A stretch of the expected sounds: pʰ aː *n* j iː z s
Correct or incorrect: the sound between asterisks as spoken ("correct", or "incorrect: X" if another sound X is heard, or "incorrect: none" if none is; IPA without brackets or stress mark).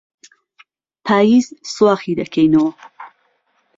incorrect: none